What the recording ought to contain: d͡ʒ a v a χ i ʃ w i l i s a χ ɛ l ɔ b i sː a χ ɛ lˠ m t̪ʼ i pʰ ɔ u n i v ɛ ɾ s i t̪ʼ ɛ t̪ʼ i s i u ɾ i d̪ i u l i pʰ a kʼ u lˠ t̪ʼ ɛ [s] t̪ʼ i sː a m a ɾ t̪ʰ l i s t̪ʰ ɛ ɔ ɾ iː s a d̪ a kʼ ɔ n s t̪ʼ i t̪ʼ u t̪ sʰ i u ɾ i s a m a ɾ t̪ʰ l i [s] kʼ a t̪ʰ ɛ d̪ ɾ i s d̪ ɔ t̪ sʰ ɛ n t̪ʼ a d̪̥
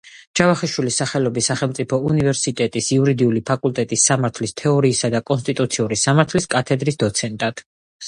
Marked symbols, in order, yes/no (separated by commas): no, yes